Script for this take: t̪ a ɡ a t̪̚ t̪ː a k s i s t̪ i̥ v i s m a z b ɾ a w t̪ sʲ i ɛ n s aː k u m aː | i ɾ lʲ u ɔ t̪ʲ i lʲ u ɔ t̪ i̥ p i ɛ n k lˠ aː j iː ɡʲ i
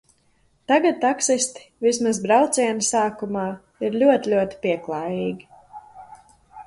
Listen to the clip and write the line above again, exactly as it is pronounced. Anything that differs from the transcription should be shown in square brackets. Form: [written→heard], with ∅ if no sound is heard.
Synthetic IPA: t̪ a ɡ a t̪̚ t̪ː a k s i s t̪ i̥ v i s m a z b ɾ a w t̪ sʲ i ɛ n s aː k u m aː | i ɾ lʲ u ɔ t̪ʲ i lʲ u ɔ t̪ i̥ p i ɛ [n→∅] k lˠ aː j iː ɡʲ i